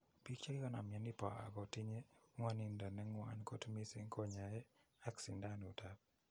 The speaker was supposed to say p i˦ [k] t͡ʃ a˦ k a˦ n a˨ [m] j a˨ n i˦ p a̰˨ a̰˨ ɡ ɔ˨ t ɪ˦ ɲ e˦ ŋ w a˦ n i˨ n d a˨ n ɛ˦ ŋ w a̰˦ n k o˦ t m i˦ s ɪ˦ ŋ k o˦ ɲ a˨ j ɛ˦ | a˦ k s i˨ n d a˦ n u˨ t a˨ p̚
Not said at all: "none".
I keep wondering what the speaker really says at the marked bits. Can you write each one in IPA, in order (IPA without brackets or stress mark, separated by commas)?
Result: k, m